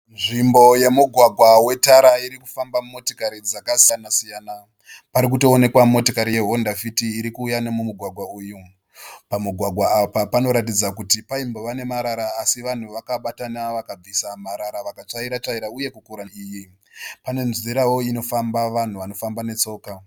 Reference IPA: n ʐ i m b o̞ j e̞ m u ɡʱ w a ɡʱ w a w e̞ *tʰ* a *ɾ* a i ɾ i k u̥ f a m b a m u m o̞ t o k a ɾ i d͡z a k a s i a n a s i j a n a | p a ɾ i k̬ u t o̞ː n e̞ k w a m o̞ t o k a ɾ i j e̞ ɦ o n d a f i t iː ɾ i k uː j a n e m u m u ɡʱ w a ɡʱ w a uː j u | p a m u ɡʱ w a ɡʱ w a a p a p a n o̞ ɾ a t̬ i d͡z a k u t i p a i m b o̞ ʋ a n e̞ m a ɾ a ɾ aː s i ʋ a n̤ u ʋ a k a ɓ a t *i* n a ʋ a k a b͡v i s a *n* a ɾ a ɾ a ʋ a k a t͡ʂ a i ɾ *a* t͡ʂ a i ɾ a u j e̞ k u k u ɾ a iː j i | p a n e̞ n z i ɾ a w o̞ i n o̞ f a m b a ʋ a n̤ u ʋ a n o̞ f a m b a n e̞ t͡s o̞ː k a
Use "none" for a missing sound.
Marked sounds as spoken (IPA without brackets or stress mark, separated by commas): t, ɾ, a, m, a